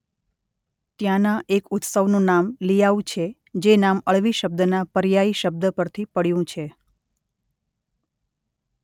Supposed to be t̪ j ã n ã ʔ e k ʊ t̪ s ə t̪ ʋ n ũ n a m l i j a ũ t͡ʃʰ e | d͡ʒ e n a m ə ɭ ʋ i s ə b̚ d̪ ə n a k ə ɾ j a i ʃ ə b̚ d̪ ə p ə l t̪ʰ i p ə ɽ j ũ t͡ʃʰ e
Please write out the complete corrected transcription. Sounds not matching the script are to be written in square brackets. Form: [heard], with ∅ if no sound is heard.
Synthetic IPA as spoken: t̪ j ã n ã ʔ e k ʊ t̪ s ə [∅] ʋ n ũ n a m l i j a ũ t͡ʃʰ e | d͡ʒ e n a m ə ɭ ʋ i [ʃ] ə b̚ d̪ ə n a [p] ə ɾ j a i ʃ ə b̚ d̪ ə p ə [ɾ] t̪ʰ i p ə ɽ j ũ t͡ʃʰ e